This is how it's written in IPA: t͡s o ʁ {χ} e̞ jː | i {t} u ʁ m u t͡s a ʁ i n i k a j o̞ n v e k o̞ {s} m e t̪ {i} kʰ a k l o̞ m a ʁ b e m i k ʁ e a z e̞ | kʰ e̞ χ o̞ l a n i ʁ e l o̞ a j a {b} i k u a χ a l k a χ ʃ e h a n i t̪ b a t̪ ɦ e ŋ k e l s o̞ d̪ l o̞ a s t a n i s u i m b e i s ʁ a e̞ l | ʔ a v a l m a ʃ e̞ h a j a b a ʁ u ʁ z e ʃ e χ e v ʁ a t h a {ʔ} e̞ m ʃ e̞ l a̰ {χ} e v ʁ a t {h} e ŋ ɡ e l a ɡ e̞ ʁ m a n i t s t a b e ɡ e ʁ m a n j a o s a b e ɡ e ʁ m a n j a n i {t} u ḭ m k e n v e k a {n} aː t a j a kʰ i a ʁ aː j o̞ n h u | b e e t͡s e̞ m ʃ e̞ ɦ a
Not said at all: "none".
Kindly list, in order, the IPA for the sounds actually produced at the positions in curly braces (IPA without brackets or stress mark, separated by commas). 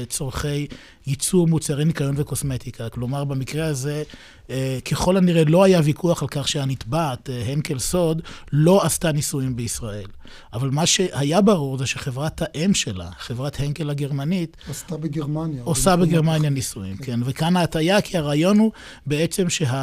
χ, t͡s, s, i, v, ʔ, χ, h, s, n